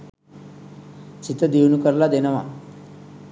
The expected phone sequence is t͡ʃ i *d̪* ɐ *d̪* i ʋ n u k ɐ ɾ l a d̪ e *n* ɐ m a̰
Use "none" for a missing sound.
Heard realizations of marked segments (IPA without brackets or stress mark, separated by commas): t̪, d̪, n